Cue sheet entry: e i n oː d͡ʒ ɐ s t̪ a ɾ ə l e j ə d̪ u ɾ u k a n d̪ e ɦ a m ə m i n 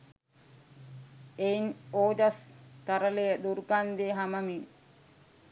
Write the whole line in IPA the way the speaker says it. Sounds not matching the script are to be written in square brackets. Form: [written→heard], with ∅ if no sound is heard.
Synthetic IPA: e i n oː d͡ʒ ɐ s t̪ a ɾ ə l e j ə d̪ u ɾ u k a n d̪ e ɦ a m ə m i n